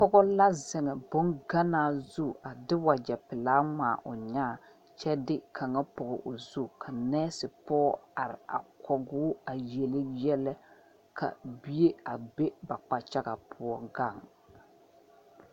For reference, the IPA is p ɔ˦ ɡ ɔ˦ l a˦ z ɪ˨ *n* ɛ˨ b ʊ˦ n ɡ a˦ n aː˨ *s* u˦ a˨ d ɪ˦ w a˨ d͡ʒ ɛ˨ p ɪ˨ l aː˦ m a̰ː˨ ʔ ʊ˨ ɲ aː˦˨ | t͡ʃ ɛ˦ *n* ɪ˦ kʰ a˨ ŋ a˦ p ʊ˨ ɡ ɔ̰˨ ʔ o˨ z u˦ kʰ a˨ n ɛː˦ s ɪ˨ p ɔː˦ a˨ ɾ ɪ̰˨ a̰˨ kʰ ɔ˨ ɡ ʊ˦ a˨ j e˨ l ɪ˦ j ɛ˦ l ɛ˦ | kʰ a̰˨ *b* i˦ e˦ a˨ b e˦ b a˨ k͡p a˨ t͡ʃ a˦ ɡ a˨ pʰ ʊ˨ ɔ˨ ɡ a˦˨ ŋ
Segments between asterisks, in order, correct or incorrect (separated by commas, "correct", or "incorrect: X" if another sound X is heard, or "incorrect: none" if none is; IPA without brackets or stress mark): incorrect: ŋ, incorrect: z, incorrect: d, correct